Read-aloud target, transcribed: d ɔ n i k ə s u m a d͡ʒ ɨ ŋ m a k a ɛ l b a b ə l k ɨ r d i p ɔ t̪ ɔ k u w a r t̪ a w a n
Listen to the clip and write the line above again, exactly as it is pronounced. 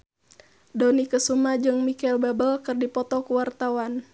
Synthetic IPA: d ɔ n i k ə s u m a d͡ʒ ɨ ŋ m i k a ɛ l b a b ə l k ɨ r d i p ɔ t̪ ɔ k u w a r t̪ a w a n